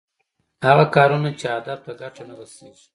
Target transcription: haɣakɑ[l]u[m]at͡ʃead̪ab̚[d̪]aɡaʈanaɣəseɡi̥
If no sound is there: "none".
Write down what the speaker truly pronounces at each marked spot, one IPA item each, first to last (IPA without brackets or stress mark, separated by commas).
ɾ, n, t̪